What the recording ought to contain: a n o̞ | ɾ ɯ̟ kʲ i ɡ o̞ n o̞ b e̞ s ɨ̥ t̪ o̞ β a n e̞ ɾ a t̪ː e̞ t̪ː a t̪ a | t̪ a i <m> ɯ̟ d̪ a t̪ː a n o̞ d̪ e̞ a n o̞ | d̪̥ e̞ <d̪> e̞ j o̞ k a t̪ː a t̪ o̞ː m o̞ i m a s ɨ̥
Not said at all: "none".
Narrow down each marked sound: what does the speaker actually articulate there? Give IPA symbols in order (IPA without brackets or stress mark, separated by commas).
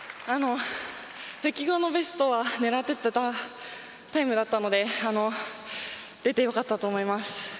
m, t̪